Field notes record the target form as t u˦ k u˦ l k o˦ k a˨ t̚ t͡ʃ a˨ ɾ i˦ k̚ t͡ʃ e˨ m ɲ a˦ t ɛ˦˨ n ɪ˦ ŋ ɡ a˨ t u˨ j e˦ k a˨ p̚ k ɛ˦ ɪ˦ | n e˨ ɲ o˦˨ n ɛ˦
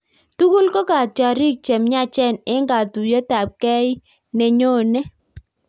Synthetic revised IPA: t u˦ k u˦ l k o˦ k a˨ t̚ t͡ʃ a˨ ɾ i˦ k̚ t͡ʃ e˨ m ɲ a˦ t͡ʃ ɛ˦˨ n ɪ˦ ŋ ɡ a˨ t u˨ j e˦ t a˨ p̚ k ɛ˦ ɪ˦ | n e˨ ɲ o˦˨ n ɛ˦